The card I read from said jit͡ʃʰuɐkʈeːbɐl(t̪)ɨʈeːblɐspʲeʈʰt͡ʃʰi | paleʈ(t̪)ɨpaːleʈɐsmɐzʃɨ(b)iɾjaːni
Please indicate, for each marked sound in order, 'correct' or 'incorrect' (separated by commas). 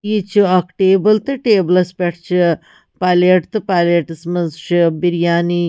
correct, correct, correct